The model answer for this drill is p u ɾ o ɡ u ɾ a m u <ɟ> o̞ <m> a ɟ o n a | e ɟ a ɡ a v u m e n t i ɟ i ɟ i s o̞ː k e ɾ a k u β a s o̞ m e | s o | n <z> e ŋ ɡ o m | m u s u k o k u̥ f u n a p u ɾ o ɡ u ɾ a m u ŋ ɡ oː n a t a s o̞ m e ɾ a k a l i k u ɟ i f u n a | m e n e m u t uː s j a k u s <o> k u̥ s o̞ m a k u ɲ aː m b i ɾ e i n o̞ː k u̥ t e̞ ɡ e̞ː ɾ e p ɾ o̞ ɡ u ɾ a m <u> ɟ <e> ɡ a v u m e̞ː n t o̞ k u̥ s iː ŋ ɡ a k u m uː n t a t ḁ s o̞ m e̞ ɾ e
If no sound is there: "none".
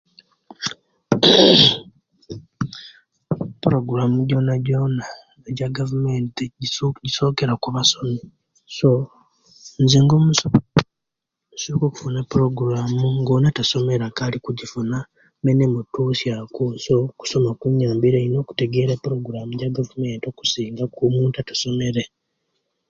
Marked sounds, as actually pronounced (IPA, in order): ɟ, n, z, o, u, a

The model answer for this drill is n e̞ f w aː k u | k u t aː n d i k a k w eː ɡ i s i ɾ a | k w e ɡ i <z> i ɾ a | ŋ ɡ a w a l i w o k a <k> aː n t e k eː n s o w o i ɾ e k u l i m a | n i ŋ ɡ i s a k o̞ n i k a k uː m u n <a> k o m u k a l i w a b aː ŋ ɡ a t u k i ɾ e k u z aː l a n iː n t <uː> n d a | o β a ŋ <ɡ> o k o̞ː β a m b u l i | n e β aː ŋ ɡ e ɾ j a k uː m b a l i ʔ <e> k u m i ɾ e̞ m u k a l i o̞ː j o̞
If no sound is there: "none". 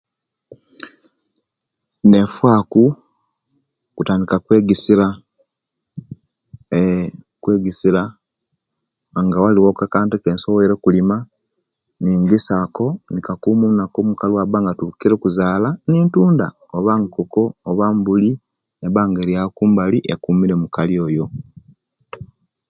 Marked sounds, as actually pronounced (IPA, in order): s, k, a, uː, k, e

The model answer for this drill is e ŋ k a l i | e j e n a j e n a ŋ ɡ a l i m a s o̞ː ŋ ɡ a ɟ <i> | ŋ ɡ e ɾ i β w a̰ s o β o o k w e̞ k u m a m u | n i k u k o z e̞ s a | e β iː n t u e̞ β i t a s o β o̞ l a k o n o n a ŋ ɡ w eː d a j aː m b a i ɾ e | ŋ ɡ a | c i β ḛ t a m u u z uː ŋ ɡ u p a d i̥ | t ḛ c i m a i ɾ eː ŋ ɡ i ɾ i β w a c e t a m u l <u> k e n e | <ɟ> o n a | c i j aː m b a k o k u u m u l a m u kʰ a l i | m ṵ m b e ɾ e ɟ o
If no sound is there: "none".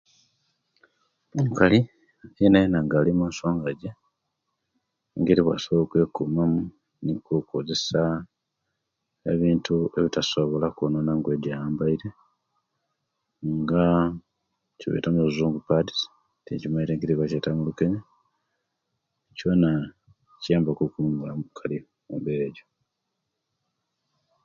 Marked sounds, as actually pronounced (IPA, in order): e, u, c

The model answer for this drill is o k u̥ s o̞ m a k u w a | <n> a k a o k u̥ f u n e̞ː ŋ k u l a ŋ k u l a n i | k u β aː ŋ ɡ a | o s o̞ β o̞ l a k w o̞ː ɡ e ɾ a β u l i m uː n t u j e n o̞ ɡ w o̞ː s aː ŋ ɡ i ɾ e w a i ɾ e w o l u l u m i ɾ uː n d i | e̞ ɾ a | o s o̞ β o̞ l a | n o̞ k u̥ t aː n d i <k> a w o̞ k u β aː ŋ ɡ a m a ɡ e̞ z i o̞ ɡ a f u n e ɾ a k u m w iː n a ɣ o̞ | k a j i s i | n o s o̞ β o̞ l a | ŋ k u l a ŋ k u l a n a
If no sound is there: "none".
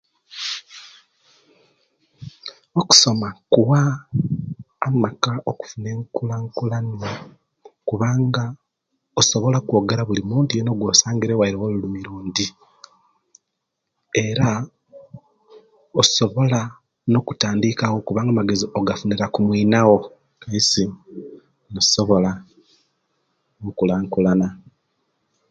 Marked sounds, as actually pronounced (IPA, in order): m, k

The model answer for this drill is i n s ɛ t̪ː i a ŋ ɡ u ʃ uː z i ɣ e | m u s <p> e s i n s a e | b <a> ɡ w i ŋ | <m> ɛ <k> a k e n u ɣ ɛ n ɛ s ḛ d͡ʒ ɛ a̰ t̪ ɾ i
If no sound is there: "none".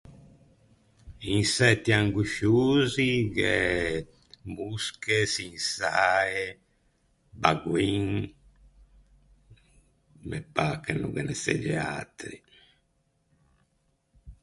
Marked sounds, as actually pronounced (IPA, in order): k, a, m, p

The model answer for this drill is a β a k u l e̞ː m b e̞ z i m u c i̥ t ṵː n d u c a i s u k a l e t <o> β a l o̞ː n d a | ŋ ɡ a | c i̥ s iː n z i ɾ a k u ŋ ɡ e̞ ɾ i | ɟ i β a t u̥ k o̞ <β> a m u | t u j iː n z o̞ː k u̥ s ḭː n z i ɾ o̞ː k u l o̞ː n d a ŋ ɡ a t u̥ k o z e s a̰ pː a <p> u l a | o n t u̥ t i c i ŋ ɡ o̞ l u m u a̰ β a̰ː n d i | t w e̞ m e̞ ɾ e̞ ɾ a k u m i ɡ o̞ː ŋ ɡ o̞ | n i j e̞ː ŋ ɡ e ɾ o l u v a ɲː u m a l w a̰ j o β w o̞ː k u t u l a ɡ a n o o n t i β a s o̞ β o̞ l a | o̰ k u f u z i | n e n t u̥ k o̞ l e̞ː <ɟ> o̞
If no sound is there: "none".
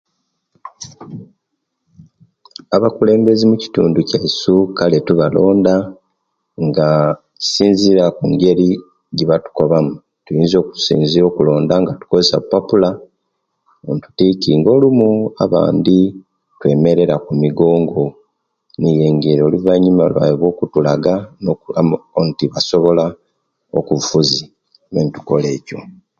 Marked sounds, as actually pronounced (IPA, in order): u, β, p, c

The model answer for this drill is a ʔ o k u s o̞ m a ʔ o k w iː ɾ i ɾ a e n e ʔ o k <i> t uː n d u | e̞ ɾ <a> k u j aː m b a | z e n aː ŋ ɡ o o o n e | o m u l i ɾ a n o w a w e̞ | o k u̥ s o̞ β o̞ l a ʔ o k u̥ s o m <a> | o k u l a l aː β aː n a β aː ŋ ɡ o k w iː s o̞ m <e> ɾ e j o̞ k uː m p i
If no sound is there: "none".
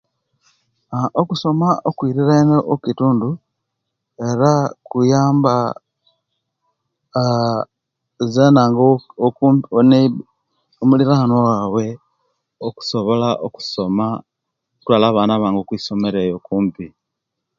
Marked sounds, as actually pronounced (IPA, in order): i, a, a, e

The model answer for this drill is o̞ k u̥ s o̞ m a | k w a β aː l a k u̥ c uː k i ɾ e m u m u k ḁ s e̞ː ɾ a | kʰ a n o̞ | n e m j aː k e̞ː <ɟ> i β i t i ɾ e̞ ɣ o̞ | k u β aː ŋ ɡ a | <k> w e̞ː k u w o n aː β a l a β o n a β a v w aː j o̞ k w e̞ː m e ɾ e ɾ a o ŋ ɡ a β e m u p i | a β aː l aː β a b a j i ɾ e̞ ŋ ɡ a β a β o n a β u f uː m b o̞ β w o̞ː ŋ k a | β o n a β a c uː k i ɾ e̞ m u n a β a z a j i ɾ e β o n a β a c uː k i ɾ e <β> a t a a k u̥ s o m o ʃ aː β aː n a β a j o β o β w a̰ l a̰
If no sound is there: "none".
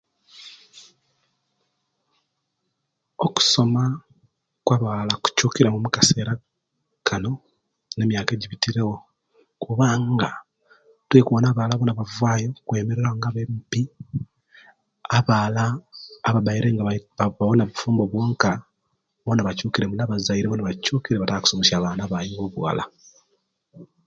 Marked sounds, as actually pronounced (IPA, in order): ɟ, t, β

